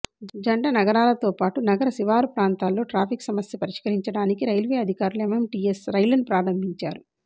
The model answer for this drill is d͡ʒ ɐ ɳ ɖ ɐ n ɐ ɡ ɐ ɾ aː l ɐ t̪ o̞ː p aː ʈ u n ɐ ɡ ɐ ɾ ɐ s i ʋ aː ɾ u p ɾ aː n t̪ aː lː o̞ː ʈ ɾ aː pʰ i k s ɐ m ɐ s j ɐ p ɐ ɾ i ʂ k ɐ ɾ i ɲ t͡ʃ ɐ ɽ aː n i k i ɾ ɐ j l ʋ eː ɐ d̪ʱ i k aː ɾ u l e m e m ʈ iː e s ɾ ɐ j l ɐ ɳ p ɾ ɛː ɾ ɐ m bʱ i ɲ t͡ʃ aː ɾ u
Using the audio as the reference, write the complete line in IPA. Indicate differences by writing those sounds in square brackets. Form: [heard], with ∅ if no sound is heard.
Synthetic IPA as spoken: d͡ʒ ɐ ɳ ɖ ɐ n ɐ ɡ ɐ ɾ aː l ɐ t̪ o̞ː p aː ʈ u n ɐ ɡ ɐ ɾ ɐ s i ʋ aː ɾ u p ɾ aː n t̪ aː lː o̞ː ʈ ɾ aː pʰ i k s ɐ m ɐ s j ɐ p ɐ ɾ i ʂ k ɐ ɾ i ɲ t͡ʃ ɐ ɽ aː n i k i ɾ ɐ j l ʋ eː ɐ d̪ʱ i k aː ɾ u l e m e m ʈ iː e s ɾ ɐ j l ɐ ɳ p ɾ [aː] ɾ ɐ m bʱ i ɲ t͡ʃ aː ɾ u